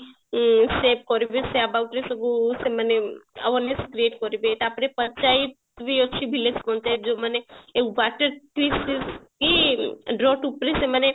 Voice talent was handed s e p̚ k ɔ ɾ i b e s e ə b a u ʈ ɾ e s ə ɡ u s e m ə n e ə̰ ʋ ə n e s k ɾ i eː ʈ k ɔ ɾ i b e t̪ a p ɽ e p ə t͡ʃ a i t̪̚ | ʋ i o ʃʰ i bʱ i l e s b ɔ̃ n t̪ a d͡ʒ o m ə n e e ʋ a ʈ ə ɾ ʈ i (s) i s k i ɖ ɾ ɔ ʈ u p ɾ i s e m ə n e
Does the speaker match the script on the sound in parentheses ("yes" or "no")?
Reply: yes